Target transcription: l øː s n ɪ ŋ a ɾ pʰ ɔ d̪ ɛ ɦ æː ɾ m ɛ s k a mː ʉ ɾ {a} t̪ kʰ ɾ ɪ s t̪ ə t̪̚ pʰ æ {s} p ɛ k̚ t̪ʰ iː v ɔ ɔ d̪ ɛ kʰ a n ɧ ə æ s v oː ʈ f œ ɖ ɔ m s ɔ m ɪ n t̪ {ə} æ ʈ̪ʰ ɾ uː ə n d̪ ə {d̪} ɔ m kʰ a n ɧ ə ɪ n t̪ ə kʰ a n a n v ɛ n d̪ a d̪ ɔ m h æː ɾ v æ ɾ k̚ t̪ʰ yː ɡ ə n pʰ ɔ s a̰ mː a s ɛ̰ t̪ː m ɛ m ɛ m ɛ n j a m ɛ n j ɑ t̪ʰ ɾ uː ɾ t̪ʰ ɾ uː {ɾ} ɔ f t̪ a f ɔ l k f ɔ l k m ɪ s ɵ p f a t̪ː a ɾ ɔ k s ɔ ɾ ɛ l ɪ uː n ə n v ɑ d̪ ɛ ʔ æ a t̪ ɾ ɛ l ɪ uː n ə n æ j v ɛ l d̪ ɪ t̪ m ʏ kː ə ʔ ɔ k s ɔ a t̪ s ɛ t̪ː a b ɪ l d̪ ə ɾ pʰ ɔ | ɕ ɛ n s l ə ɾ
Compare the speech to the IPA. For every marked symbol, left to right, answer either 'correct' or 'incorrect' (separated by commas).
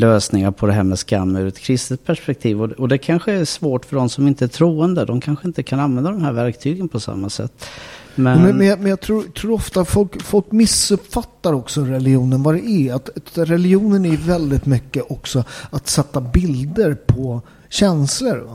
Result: incorrect, incorrect, correct, correct, correct